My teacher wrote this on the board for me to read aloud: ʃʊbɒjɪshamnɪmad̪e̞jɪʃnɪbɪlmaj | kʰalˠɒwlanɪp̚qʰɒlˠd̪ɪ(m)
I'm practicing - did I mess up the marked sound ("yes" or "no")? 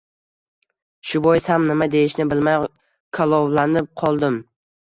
no